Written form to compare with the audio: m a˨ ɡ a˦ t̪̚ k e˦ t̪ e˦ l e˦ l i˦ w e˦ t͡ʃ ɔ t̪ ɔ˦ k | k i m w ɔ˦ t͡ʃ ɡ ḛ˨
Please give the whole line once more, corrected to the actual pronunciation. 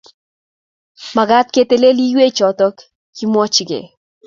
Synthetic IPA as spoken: m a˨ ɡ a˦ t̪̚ k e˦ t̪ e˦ l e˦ l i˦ w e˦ t͡ʃ ɔ t̪ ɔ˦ k | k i m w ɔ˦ t͡ʃ ɡ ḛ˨